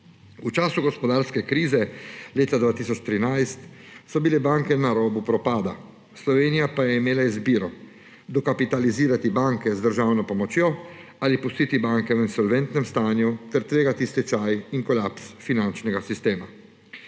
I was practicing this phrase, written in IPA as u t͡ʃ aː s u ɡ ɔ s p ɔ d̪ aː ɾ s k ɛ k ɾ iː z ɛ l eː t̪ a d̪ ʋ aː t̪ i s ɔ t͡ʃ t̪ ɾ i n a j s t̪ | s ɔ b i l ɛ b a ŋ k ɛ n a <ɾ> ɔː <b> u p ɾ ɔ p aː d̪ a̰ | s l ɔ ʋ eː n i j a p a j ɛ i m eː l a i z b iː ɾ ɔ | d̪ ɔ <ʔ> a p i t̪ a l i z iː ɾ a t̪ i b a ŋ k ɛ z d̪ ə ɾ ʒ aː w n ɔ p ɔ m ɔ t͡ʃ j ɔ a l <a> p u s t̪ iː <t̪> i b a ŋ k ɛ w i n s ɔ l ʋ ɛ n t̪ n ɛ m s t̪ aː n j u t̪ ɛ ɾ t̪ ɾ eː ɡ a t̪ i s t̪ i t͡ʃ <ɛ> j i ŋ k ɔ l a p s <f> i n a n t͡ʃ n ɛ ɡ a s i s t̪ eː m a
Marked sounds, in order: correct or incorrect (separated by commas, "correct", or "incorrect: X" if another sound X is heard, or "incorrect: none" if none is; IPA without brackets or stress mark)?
correct, correct, incorrect: k, incorrect: i, correct, incorrect: a, correct